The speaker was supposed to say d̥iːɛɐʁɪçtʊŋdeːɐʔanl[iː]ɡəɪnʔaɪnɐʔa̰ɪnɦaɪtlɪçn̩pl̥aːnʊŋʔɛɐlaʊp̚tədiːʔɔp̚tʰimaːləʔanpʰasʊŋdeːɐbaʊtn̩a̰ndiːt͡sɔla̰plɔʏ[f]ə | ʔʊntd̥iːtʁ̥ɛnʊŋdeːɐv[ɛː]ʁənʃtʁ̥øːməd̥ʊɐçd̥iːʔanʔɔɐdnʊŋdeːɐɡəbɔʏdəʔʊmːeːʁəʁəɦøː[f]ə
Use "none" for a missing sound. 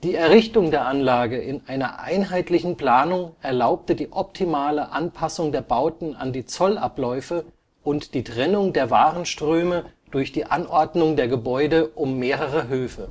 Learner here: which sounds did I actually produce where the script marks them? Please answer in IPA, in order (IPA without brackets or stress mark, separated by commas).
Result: aː, f, aː, f